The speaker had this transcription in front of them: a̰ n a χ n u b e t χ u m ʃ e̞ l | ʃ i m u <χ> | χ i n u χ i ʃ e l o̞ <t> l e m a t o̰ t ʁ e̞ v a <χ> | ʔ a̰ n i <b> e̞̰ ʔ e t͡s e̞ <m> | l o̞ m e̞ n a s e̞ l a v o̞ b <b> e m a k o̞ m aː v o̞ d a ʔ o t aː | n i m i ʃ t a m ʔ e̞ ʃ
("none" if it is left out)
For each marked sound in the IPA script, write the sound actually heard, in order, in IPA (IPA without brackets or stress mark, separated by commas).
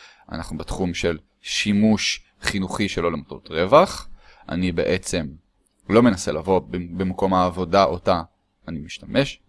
ʃ, none, χ, b, m, b